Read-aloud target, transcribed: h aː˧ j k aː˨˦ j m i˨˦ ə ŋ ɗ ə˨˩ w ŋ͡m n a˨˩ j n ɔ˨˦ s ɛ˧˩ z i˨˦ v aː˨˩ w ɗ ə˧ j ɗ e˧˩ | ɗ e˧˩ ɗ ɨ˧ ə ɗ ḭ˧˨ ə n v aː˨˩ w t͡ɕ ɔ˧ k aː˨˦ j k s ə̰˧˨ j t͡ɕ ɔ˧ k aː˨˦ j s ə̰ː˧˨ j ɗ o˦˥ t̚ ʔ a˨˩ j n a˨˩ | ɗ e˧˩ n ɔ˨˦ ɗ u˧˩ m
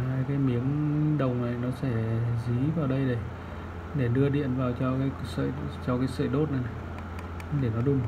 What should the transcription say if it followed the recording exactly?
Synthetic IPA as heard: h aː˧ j k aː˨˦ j m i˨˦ ə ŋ ɗ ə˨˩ w ŋ͡m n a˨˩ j n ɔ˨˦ s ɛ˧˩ z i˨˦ v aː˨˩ w ɗ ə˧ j ɗ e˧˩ | ɗ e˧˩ ɗ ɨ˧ ə ɗ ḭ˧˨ ə n v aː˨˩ w t͡ɕ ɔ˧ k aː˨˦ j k s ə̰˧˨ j t͡ɕ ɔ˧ k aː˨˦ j s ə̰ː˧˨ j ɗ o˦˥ t̚ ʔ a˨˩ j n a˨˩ | ɗ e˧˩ n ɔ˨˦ ɗ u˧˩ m